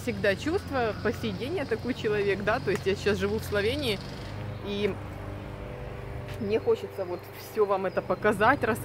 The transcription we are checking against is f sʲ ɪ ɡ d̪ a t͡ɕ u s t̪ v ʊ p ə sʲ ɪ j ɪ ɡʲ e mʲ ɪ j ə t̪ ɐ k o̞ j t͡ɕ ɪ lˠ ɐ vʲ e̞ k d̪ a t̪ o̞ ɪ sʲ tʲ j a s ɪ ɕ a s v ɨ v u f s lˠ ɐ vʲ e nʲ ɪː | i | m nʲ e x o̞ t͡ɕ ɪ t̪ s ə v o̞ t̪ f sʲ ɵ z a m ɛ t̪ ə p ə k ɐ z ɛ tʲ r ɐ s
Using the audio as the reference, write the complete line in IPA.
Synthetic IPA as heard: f sʲ ɪ ɡ d̪ a t͡ɕ u s t̪ v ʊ p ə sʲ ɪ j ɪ dʲ e nʲ ɪ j ə t̪ ɐ k o̞ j t͡ɕ ɪ lˠ ɐ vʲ e̞ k d̪ a t̪ o̞ ɪ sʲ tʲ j a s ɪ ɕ a s ʐ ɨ v u f s lˠ ɐ vʲ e nʲ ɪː | i | m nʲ e x o̞ t͡ɕ ɪ t̪ s ə v o̞ t̪ f sʲ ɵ v a m ɛ t̪ ə p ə k ɐ z a tʲ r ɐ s

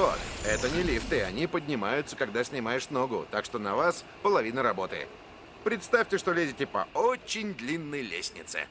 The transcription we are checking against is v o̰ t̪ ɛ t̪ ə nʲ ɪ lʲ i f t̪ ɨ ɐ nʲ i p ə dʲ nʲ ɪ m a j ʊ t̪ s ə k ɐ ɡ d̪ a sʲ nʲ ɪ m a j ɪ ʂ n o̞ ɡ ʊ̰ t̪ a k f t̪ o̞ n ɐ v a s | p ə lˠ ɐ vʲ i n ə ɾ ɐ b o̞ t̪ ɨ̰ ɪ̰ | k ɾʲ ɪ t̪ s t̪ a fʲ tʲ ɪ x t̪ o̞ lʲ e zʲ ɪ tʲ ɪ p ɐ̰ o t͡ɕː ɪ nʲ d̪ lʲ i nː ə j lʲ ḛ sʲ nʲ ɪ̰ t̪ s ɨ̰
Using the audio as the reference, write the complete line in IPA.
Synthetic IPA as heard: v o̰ t̪ ɛ t̪ ə nʲ ɪ lʲ i f t̪ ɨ ɐ nʲ i p ə dʲ nʲ ɪ m a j ʊ t̪ s ə k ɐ ɡ d̪ a sʲ nʲ ɪ m a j ɪ ʂ n o̞ ɡ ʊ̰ t̪ a k ʂ t̪ o̞ n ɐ v a s | p ə lˠ ɐ vʲ i n ə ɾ ɐ b o̞ t̪ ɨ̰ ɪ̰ | p ɾʲ ɪ t̪ s t̪ a fʲ tʲ ɪ ʂ t̪ o̞ lʲ e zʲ ɪ tʲ ɪ p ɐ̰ o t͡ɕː ɪ nʲ d̪ lʲ i nː ə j lʲ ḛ sʲ nʲ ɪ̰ t̪ s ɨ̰

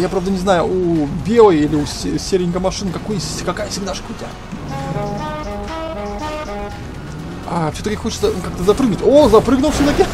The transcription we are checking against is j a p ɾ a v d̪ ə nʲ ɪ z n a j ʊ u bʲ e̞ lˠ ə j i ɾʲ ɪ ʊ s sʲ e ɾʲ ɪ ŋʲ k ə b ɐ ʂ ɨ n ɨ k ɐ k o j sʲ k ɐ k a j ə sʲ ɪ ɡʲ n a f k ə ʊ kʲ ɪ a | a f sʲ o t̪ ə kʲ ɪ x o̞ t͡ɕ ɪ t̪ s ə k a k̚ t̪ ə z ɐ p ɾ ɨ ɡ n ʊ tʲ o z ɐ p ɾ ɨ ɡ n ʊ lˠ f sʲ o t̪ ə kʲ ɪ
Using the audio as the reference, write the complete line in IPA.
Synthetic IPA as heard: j a p ɾ a v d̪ ə nʲ ɪ z n a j ʊ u bʲ e̞ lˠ ə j i lʲ ɪ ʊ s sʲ e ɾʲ ɪ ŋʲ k ə m ɐ ʂ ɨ n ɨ k ɐ k o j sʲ k ɐ k a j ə sʲ ɪ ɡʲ n a ʂ k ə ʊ tʲ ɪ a | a f sʲ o t̪ ə kʲ ɪ x o̞ t͡ɕ ɪ t̪ s ə k a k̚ t̪ ə z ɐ p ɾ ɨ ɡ n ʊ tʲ o z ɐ p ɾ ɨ ɡ n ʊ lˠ f sʲ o t̪ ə kʲ ɪ

